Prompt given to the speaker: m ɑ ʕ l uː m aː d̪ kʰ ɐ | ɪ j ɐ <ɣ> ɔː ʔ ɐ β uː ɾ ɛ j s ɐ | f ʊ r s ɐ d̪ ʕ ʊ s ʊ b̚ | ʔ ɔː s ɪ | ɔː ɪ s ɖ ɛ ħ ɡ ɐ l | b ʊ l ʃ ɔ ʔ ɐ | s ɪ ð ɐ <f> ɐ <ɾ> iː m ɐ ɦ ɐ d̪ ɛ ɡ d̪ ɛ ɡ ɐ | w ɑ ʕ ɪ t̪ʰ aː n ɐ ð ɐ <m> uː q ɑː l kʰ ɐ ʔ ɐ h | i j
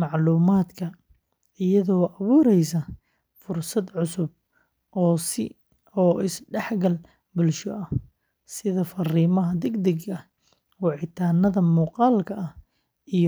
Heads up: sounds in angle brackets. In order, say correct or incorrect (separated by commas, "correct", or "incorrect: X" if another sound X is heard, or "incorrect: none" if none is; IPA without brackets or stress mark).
incorrect: ð, correct, incorrect: r, correct